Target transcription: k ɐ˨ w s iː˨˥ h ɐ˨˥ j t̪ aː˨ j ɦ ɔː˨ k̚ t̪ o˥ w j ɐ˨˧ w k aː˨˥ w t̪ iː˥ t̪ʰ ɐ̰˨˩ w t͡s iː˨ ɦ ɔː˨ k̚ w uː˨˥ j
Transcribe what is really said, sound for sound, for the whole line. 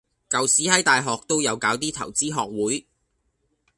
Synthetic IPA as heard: k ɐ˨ w s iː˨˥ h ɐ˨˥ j t̪ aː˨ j ɦ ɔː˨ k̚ t̪ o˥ w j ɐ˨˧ w k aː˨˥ w t̪ iː˥ t̪ʰ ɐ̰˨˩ w t͡s iː˥ ɦ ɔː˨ k̚ w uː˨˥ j